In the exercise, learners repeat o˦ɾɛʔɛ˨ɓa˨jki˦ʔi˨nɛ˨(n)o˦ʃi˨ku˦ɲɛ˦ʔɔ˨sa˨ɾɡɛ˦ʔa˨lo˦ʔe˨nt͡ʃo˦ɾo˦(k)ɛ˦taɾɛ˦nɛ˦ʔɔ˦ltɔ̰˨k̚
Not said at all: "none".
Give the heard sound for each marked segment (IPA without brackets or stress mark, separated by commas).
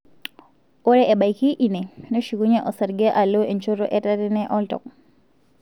n, ʔ